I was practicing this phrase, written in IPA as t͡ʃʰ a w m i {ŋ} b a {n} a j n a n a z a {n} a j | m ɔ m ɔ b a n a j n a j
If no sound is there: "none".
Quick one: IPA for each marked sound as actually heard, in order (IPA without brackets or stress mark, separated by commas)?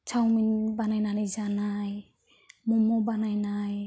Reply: n, n, n